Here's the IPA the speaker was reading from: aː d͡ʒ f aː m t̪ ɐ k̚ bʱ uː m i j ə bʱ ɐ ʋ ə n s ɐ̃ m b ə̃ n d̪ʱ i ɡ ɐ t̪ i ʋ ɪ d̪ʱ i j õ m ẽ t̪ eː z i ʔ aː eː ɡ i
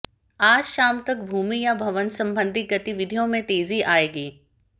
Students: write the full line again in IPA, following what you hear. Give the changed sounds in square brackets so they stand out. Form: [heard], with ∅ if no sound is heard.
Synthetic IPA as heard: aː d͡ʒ [ʃ] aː m t̪ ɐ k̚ bʱ uː m i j [a] bʱ ɐ ʋ ə n s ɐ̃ m b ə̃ n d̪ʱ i ɡ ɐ t̪ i ʋ ɪ d̪ʱ i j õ m ẽ t̪ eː z i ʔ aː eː ɡ [iː]